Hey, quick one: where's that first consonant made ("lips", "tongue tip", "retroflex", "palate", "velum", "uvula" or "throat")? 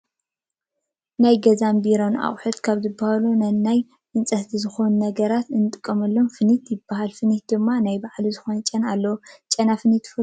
tongue tip